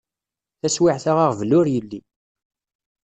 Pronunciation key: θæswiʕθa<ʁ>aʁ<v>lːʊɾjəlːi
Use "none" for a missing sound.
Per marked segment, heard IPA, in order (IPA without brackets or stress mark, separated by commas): ʁ, v